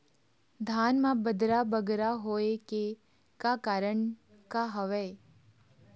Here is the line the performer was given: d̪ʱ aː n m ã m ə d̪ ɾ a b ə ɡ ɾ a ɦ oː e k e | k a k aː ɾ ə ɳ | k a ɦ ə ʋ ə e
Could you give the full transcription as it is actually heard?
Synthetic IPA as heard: d̪ʱ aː n m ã b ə d̪ ɾ a b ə ɡ ɾ a ɦ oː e k e | k a k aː ɾ ə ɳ | k a ɦ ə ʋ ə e

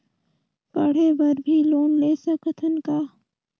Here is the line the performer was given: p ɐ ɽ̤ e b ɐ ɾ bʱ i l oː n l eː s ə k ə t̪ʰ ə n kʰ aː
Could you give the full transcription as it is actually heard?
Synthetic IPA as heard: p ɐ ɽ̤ e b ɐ ɾ bʱ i l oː n l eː s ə k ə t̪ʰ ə n k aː

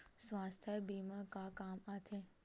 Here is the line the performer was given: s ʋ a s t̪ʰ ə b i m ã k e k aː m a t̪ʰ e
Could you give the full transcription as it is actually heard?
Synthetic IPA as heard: s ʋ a s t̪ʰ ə b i m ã k a k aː m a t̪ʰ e

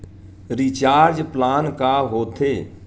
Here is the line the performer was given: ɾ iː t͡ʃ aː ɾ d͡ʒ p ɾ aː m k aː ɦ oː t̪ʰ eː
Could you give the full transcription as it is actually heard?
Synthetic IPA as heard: ɾ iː t͡ʃ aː ɾ d͡ʒ p l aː n k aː ɦ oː t̪ʰ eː

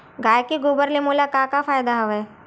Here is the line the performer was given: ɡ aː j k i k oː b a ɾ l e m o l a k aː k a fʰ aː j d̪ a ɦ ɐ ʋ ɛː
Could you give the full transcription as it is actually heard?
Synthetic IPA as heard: ɡ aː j k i ɡ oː b ə ɾ l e m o l a k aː k a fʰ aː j d̪ a ɦ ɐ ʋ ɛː

